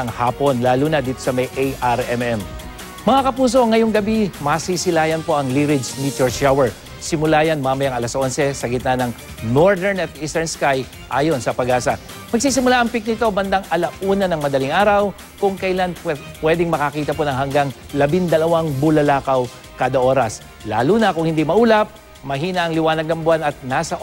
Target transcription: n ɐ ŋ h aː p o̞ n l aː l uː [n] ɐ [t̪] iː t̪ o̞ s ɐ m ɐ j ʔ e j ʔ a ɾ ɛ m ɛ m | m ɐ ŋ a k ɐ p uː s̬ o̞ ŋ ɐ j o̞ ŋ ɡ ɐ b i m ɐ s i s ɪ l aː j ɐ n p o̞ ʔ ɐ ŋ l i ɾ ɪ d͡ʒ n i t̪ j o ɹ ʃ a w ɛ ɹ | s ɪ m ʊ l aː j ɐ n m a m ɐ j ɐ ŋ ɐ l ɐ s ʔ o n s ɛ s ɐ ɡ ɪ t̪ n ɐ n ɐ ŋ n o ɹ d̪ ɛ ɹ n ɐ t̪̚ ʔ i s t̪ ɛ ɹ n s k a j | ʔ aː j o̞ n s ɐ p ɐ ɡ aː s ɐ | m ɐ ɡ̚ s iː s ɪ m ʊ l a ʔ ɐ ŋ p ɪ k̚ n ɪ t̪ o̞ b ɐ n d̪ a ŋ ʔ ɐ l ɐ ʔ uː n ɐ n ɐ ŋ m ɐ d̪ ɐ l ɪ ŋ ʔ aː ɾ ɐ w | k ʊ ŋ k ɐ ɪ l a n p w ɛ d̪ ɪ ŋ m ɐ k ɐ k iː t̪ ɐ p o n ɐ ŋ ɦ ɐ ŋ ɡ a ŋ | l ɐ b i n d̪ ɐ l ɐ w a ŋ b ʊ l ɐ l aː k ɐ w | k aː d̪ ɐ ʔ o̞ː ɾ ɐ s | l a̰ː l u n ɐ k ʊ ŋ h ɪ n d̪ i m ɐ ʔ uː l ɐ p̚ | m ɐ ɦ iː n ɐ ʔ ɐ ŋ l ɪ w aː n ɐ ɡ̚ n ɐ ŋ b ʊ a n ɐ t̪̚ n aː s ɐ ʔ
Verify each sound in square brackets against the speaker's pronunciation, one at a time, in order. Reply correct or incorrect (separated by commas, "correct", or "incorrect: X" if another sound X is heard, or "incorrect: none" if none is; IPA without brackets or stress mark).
correct, incorrect: d̪